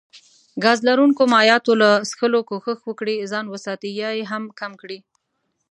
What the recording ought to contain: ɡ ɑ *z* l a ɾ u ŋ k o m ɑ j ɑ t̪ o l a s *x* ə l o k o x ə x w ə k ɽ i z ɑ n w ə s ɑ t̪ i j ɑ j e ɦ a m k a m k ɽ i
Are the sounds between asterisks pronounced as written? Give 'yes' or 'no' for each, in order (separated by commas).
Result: yes, yes